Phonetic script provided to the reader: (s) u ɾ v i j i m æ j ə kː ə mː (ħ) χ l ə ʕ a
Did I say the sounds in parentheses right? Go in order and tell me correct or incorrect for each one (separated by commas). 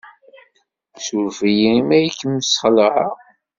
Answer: correct, incorrect